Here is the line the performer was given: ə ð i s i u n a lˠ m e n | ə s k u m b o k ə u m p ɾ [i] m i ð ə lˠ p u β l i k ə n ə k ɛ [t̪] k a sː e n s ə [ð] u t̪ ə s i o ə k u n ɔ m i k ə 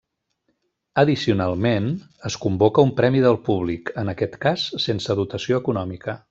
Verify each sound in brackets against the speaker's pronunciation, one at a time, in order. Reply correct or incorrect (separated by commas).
incorrect, correct, correct